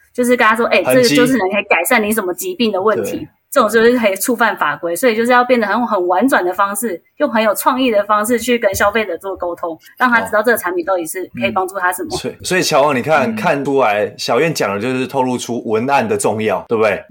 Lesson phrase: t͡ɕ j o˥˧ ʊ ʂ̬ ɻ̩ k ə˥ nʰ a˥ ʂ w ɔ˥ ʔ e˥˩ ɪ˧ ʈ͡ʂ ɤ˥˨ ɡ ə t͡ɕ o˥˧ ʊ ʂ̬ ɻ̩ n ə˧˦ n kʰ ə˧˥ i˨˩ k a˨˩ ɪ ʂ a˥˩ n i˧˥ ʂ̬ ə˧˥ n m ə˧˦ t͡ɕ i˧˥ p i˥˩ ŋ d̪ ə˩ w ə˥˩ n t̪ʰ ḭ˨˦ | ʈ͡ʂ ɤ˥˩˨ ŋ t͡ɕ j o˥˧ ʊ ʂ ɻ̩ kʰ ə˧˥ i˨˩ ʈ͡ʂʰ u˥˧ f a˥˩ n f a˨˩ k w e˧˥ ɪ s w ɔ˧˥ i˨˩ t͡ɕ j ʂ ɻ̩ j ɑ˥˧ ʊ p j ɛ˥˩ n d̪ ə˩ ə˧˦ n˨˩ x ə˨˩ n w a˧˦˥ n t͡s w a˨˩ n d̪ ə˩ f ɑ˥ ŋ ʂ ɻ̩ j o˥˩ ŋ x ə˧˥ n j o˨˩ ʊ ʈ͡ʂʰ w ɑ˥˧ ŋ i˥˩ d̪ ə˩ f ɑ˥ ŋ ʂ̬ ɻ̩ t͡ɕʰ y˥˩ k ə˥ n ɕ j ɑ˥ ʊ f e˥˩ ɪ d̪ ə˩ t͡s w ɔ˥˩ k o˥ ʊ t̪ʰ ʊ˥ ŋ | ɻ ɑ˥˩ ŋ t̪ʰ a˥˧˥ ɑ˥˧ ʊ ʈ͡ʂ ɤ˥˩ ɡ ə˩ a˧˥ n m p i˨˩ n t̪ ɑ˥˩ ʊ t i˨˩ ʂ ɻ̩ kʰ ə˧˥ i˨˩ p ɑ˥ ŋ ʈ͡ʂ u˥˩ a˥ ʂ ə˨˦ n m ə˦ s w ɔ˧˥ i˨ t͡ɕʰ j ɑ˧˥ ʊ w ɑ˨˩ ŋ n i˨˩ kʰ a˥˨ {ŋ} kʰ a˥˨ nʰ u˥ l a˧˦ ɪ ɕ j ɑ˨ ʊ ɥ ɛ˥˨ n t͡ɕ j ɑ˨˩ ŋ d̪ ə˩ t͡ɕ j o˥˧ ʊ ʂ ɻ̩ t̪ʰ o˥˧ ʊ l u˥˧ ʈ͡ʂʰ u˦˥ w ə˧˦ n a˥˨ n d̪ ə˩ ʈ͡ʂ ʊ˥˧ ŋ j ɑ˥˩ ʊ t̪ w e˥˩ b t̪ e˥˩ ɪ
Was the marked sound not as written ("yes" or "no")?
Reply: yes